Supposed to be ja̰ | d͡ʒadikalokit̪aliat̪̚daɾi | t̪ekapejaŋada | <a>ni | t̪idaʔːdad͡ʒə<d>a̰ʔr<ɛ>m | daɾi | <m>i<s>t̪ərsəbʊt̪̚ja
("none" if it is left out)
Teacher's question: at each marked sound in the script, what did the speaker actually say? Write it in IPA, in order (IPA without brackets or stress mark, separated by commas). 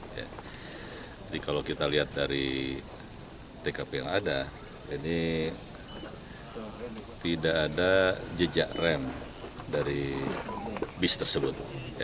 i, d͡ʒ, ɛ, b, s